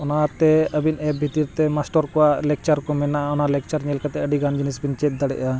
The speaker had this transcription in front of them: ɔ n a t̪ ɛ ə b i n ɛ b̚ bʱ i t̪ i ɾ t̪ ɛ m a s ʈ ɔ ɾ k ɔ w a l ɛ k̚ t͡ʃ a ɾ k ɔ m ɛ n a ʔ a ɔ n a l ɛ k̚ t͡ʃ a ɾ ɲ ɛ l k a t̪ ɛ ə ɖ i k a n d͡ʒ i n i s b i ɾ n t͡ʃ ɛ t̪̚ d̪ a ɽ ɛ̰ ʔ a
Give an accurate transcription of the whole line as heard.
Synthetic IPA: ɔ n a t̪ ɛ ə b i n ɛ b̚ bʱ i t̪ i ɾ t̪ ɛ m a s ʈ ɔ ɾ k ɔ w a l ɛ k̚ t͡ʃ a ɾ k ɔ m ɛ n a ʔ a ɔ n a l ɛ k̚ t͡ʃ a ɾ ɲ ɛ l k a t̪ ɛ ə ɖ i ɡ a n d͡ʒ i n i s b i n t͡ʃ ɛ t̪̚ d̪ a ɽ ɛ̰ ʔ a